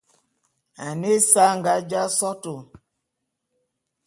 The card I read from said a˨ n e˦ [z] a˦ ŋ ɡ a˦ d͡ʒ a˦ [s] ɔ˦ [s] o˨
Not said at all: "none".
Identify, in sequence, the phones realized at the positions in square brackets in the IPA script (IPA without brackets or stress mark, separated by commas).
s, s, t